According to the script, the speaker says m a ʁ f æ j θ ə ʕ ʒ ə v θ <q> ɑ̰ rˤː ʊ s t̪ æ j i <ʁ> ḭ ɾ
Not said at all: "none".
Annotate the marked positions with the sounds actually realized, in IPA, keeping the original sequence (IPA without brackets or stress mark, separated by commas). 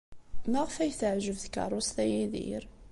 k, ð